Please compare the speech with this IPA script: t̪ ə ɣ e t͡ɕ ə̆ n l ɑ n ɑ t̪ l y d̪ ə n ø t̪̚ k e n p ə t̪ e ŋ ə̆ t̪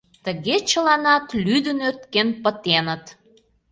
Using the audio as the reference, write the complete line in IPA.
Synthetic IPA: t̪ ə ɣ e t͡ɕ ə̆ l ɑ n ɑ t̪ l y d̪ ə n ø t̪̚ k e n p ə t̪ e n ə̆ t̪